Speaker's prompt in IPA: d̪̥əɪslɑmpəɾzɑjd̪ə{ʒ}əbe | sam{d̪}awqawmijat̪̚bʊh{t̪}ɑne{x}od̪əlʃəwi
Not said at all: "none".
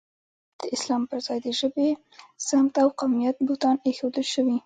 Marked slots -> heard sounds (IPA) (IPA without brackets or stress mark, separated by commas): ʒ, t̪, t̪, x